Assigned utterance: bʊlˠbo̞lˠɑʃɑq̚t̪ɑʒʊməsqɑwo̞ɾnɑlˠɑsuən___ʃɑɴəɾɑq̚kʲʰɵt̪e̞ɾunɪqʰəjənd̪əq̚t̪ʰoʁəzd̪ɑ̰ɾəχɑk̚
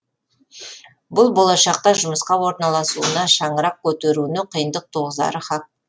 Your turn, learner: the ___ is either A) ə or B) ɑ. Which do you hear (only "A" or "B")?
B